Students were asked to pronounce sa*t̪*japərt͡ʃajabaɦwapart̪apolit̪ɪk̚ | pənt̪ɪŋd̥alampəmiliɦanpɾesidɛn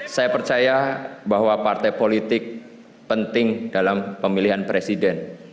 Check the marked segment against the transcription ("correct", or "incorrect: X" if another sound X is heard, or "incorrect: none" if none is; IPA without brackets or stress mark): incorrect: none